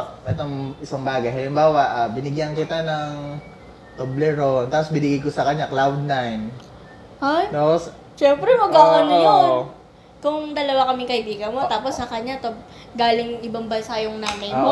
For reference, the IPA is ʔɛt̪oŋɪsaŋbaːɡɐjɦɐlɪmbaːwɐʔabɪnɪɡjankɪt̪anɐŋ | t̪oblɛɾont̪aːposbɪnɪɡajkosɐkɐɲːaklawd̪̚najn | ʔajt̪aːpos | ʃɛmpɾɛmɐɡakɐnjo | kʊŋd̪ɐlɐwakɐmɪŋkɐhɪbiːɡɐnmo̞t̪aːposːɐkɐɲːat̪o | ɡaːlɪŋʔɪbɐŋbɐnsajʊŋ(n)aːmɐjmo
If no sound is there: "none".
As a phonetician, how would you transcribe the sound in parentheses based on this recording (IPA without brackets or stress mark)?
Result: n